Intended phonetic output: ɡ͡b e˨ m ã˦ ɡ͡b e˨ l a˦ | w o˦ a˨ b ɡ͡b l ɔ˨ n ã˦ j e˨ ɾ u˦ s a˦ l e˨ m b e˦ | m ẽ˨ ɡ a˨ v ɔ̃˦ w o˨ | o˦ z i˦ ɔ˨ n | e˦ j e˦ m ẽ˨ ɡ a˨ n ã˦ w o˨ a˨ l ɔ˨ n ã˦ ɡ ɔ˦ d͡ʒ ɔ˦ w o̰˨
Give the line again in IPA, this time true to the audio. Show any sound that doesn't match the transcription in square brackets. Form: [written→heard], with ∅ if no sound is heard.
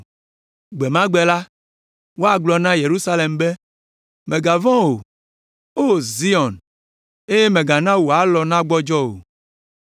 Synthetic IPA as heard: ɡ͡b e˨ m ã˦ ɡ͡b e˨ l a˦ | w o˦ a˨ [b→∅] ɡ͡b l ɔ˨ n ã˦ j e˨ ɾ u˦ s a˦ l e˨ m b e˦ | m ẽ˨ ɡ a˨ v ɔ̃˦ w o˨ | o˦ z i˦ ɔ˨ n | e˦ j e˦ m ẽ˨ ɡ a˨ n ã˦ w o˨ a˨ l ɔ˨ n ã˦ [ɡ→ɡ͡b] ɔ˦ d͡ʒ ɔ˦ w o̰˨